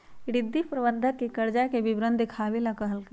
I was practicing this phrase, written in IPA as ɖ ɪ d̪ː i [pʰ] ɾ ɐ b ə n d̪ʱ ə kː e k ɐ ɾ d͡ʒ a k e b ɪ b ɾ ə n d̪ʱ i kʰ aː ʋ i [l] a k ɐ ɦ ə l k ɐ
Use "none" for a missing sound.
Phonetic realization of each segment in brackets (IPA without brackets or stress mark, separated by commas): p, l